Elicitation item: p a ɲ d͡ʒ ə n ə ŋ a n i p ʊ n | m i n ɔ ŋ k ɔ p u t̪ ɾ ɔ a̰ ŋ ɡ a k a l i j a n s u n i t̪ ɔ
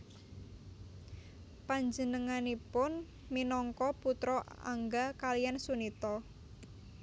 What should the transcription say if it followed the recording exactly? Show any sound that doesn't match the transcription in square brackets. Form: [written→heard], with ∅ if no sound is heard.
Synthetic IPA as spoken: p a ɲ d͡ʒ ə n ə ŋ a n i p ʊ n | m i n ɔ ŋ k ɔ p u t̪ ɾ ɔ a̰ ŋ ɡ a k a l i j a n s u n i t̪ ɔ

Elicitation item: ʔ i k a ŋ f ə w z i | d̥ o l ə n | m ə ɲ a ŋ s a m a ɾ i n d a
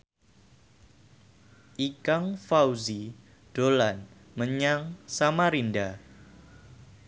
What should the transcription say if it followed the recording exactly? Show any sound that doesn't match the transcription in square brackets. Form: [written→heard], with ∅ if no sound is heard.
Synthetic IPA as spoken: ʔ i k a ŋ f [ə→a] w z i | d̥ o l [ə→a] n | m ə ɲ a ŋ s a m a ɾ i n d a

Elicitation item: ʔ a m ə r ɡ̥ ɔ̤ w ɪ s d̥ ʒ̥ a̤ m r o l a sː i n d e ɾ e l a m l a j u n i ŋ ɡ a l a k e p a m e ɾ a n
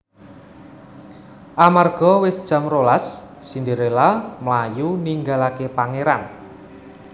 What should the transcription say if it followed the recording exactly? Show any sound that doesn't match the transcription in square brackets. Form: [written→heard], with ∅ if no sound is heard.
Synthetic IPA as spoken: ʔ a m [ə→a] r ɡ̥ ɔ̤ w ɪ s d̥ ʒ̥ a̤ m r o l a sː i n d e ɾ e l a m l a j u n i ŋ ɡ a l a k e p a [m→ŋ] e ɾ a n

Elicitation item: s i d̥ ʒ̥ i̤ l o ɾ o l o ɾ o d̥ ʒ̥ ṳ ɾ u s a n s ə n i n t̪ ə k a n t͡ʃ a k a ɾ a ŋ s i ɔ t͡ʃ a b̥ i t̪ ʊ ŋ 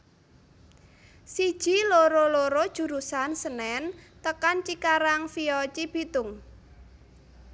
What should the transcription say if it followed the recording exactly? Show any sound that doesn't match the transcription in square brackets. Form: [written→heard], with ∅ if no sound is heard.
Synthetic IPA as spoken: s i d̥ ʒ̥ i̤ l o ɾ o l o ɾ o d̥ ʒ̥ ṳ ɾ u s a n s ə n [i→ɛ] n t̪ ə k a n t͡ʃ [a→i] k a ɾ a ŋ [s→f] i ɔ t͡ʃ [a→i] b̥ i t̪ ʊ ŋ

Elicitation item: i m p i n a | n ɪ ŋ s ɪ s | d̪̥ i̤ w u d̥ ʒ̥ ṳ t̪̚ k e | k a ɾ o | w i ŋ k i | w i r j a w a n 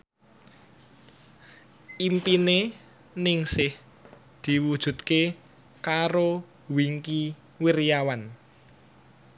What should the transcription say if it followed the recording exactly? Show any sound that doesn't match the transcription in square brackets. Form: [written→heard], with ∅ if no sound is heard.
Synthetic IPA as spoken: i m p i n [a→e] | n ɪ ŋ s ɪ [s→h] | d̪̥ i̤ w u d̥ ʒ̥ ṳ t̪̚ k e | k a ɾ o | w i ŋ k i | w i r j a w a n

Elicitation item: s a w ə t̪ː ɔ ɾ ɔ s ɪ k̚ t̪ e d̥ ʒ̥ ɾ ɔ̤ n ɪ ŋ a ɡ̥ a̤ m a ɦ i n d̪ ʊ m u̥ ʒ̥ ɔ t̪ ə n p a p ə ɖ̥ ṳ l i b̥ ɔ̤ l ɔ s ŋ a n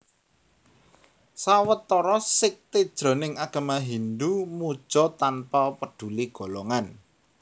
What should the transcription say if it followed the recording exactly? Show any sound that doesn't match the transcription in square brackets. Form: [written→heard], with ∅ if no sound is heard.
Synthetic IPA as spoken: s a w ə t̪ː ɔ ɾ ɔ s ɪ k̚ t̪ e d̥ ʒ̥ ɾ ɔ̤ n ɪ ŋ a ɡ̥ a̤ m a ɦ i n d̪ [ʊ→u] m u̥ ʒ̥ ɔ t̪ [ə→a] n p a p ə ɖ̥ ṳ l i [b̥→ɡ̥] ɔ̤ l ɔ [s→∅] ŋ a n

